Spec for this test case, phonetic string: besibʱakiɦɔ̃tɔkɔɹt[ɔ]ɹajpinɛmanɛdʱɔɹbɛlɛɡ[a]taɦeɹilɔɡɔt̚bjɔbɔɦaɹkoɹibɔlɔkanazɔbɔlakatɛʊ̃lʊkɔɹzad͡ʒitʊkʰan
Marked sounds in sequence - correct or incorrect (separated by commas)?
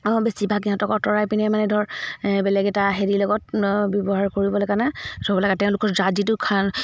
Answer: correct, incorrect